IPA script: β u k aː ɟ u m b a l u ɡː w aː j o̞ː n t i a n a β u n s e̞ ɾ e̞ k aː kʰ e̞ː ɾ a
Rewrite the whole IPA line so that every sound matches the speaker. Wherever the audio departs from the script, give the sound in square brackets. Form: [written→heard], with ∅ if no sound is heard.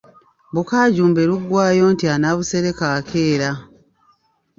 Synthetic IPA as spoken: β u k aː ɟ [u→uː] m b [a→e] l u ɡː w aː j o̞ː n t i a n a β u [n→∅] s e̞ ɾ e̞ k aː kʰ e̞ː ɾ a